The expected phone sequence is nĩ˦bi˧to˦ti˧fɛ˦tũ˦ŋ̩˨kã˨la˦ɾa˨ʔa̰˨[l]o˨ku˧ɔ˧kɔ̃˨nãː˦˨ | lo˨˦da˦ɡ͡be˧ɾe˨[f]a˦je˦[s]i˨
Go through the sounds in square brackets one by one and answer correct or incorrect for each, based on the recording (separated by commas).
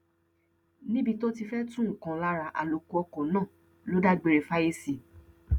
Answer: correct, correct, correct